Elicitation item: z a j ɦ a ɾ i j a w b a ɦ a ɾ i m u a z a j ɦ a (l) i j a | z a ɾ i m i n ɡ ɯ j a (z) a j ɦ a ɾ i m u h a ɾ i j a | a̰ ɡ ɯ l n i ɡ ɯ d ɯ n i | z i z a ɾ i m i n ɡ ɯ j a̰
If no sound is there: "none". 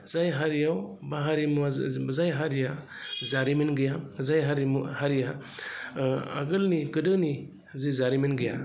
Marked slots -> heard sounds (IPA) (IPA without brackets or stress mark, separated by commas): ɾ, z